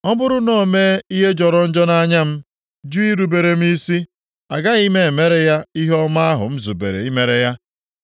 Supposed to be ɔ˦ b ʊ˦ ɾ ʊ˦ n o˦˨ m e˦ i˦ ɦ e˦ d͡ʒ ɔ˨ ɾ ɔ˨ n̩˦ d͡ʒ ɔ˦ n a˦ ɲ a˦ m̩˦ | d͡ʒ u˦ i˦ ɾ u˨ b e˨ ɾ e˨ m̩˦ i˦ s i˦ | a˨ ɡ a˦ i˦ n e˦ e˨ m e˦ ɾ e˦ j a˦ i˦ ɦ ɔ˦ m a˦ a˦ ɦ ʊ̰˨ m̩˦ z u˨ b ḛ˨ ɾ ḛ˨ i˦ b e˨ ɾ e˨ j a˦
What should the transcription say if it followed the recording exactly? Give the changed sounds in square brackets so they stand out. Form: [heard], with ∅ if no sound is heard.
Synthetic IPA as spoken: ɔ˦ b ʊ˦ ɾ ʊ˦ n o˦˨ m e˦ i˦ ɦ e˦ d͡ʒ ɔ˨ ɾ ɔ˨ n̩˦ d͡ʒ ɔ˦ n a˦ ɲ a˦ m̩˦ | d͡ʒ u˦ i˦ ɾ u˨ b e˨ ɾ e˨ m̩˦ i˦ s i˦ | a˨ ɡ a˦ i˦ [m] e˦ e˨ m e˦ ɾ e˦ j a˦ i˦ ɦ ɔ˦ m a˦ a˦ ɦ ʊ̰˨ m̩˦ z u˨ b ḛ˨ ɾ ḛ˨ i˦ [m] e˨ ɾ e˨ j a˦